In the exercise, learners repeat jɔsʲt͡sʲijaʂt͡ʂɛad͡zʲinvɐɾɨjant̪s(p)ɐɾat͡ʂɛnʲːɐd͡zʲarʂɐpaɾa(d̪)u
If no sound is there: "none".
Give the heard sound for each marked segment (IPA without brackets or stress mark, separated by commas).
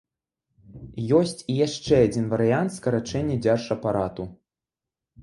k, t̪